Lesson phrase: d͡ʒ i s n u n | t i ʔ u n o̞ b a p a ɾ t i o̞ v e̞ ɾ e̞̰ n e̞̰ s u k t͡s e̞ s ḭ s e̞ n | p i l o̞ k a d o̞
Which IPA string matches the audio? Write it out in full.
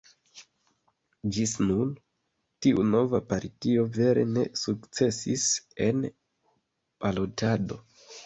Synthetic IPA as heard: d͡ʒ i s n u n | t i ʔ u n o̞ v a p a ɾ t i o̞ v e̞ ɾ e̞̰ n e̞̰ s u k t͡s e̞ s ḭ s e̞ n | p a l o̞ t a d o̞